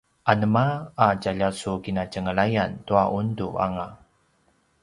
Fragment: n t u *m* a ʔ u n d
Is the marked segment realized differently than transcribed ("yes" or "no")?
yes